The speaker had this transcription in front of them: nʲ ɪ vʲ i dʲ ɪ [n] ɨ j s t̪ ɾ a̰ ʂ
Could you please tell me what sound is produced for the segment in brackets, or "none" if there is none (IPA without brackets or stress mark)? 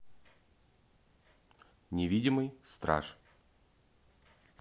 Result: m